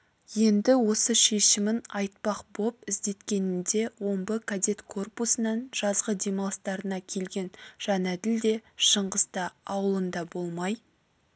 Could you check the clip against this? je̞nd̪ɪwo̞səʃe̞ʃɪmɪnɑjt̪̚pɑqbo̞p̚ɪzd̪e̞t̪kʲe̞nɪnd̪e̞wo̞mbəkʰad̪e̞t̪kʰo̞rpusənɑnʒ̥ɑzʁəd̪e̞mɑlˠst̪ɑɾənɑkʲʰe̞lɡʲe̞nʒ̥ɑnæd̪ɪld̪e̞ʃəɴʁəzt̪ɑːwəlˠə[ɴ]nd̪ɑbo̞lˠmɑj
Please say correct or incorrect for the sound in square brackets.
incorrect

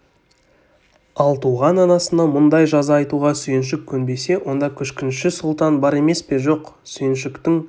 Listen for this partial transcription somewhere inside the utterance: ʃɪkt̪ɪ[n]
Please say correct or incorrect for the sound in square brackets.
incorrect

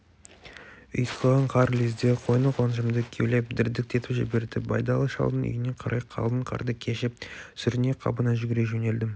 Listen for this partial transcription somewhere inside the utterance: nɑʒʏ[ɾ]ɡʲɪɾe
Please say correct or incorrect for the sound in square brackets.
incorrect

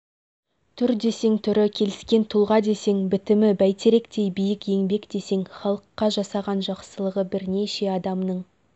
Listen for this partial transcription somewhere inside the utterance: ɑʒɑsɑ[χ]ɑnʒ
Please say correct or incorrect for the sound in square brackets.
incorrect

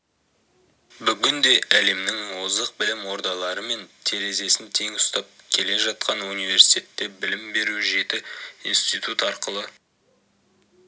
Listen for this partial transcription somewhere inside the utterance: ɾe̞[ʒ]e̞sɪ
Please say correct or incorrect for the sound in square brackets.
incorrect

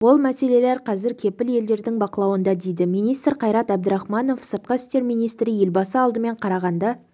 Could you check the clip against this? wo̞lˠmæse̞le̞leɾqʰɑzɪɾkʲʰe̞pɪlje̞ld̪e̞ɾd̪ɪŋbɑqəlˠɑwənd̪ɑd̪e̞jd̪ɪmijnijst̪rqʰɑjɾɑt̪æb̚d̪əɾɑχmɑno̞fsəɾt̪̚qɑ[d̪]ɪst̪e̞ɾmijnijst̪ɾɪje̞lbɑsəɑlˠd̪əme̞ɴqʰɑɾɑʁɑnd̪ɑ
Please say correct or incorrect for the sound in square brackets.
incorrect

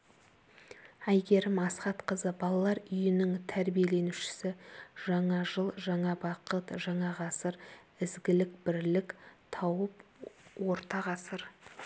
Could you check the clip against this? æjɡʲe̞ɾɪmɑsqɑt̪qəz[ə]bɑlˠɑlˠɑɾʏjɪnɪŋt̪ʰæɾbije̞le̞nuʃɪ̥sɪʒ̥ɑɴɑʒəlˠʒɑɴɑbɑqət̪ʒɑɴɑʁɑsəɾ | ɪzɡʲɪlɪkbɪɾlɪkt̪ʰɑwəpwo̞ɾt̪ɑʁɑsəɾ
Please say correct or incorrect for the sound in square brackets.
correct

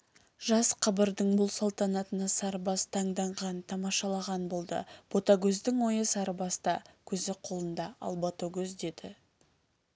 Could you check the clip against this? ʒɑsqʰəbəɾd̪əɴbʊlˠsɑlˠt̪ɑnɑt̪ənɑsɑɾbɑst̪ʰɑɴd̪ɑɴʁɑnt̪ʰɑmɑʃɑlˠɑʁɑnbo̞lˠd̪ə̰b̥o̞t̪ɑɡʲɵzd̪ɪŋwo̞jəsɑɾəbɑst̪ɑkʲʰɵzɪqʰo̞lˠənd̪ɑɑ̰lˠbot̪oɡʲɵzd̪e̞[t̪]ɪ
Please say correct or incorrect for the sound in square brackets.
incorrect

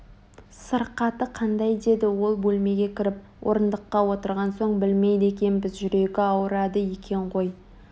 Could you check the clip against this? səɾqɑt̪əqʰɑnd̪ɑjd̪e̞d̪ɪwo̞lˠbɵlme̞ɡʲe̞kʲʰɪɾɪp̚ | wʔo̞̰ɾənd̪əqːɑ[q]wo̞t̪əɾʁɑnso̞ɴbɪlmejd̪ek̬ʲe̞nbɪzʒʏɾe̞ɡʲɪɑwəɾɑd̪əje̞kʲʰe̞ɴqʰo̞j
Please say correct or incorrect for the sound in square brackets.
incorrect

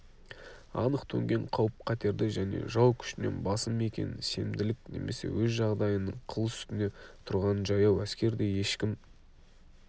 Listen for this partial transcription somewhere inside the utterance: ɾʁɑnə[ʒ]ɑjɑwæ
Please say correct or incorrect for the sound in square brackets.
correct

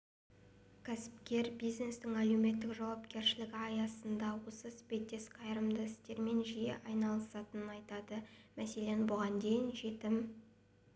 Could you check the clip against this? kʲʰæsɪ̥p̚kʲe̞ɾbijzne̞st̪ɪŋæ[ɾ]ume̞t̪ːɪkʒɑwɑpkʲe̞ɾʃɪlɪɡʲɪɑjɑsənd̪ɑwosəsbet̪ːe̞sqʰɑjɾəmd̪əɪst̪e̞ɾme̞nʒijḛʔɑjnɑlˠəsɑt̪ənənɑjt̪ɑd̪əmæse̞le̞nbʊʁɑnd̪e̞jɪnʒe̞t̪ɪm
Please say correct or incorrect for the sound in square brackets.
incorrect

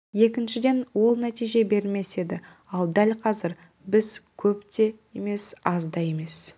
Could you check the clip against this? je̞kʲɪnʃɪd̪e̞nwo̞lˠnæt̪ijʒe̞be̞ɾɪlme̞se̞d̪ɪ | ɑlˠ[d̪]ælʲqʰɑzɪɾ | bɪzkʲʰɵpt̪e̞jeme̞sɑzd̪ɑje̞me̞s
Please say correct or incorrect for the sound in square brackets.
correct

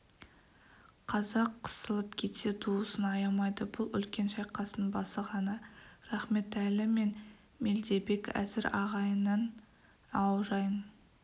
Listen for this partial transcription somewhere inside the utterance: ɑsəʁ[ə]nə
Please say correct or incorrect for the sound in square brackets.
incorrect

